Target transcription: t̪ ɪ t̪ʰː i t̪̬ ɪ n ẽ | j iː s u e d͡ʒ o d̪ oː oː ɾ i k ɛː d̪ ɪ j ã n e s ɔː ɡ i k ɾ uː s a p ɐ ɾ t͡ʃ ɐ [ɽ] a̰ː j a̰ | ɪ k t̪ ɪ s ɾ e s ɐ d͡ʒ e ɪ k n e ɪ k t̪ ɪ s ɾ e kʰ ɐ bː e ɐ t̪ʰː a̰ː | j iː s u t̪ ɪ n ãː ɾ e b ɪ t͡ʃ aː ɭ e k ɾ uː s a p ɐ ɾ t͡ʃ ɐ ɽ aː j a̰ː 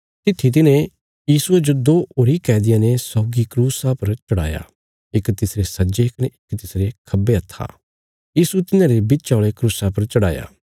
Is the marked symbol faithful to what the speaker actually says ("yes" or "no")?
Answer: yes